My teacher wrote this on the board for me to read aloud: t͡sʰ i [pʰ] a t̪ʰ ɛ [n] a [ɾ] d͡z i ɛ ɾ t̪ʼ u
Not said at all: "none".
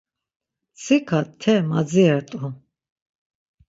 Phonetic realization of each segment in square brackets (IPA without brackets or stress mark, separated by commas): kʰ, m, none